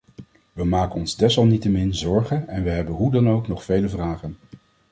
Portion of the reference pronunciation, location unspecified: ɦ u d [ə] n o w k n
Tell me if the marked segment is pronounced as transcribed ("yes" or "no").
no